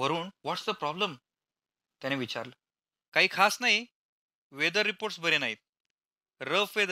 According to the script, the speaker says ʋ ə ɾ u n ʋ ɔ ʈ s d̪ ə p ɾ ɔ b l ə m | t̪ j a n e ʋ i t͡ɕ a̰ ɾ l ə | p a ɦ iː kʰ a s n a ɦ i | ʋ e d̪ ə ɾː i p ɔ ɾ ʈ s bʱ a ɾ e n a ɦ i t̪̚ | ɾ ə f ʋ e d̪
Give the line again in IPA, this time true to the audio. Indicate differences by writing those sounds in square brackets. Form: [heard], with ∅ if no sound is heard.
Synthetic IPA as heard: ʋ ə ɾ [uː] n ʋ ɔ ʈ s d̪ ə p ɾ ɔ b l ə m | t̪ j a n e ʋ i t͡ɕ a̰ ɾ l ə | [k] a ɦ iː kʰ a s n a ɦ i | ʋ e d̪ ə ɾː i p [o] ɾ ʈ s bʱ [ə] ɾ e n a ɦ i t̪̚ | ɾ ə f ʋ e d̪